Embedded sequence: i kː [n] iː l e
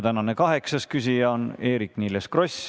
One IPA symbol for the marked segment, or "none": n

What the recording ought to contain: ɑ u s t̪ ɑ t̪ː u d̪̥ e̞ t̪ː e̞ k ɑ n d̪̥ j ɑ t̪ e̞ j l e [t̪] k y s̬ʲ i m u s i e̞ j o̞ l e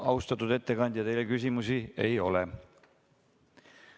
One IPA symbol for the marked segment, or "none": none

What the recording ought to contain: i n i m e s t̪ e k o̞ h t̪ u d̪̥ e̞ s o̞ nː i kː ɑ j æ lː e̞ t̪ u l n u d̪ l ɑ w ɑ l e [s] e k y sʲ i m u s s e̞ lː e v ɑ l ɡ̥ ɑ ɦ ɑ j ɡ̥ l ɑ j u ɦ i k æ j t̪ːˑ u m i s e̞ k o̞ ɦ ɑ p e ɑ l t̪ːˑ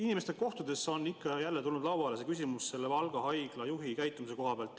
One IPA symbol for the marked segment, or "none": s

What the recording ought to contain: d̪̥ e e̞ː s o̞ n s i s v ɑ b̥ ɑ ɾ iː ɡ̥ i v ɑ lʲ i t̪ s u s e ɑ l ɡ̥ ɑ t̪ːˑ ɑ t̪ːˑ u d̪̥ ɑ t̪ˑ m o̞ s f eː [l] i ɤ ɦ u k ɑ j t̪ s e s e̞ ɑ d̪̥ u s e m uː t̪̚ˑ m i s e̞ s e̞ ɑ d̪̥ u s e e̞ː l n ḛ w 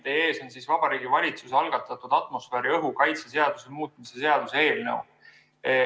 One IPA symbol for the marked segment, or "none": ɾ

